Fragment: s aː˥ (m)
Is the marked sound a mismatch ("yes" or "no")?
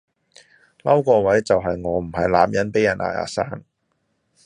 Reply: yes